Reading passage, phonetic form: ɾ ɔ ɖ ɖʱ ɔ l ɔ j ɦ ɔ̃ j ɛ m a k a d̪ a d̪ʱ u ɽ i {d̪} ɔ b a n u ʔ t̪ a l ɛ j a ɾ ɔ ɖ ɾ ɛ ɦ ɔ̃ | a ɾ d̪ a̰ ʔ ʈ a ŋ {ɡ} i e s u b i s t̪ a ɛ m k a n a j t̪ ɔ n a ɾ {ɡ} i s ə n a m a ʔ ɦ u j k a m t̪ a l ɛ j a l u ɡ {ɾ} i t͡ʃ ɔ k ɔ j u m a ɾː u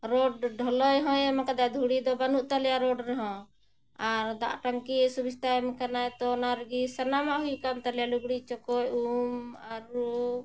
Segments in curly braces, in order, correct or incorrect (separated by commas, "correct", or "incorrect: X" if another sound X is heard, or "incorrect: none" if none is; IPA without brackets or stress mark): correct, incorrect: k, correct, incorrect: ɽ